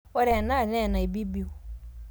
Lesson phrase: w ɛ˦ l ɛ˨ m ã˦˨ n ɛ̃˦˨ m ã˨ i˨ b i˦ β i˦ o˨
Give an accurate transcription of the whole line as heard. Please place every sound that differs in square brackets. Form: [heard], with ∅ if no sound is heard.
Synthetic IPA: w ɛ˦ [ɾ] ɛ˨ [n] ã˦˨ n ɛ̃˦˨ [n] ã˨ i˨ b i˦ [b] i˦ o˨